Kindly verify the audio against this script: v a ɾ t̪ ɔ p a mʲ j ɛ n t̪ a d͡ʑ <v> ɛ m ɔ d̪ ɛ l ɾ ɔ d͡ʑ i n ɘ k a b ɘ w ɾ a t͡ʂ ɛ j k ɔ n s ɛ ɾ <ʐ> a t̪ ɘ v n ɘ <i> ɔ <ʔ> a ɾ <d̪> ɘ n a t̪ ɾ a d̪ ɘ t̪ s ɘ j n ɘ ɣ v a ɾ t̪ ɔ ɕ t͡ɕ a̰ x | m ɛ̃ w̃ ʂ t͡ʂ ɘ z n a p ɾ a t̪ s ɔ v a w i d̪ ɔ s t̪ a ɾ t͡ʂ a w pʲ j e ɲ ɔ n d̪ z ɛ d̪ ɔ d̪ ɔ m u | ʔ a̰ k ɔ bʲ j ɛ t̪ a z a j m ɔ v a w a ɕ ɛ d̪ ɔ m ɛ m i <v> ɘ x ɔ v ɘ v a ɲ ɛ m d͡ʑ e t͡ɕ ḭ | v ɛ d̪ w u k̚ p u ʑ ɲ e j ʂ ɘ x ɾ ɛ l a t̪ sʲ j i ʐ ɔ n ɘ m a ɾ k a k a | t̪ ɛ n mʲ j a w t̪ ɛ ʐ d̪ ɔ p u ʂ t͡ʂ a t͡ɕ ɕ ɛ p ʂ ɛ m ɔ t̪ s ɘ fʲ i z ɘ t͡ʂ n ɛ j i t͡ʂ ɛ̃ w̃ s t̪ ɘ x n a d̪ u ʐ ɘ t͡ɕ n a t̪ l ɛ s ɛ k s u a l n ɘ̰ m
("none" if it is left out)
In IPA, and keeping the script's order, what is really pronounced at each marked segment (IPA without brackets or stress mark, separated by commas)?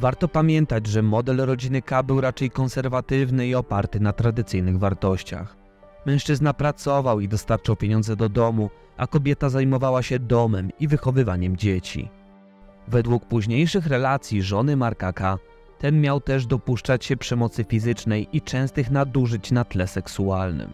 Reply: ʐ, v, i, p, t̪, v